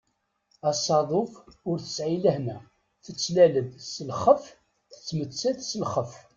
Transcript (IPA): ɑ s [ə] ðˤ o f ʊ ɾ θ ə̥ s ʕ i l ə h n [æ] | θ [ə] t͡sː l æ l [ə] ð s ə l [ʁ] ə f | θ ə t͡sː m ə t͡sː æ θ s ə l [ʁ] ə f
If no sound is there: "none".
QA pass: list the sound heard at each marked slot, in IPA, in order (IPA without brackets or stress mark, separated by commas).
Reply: ɑ, æ, ə, ə, χ, χ